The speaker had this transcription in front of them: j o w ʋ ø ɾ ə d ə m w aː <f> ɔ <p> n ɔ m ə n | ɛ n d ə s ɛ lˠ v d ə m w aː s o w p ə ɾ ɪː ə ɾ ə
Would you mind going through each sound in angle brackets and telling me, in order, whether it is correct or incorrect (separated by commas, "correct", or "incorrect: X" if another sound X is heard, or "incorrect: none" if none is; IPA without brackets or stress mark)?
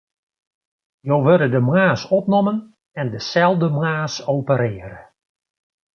incorrect: s, correct